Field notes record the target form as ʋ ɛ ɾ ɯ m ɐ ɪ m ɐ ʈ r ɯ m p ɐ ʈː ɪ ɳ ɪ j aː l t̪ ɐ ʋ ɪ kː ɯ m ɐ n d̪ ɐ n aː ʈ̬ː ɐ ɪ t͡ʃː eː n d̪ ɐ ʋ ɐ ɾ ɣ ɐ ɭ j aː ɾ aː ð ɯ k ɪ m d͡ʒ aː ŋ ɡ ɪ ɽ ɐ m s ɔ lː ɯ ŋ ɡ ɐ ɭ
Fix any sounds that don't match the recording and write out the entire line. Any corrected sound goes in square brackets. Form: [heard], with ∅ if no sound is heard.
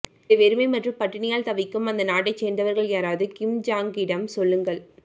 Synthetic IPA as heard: ʋ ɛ ɾ ɯ m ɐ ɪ m ɐ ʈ r ɯ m p ɐ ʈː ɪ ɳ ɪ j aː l t̪ ɐ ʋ ɪ kː ɯ m ɐ n d̪ ɐ n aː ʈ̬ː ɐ ɪ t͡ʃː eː n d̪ ɐ ʋ ɐ ɾ ɣ ɐ ɭ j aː ɾ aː ð ɯ k ɪ m d͡ʒ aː ŋ ɡ ɪ ɽ ɐ m s ɔ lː ɯ ŋ ɡ ɐ ɭ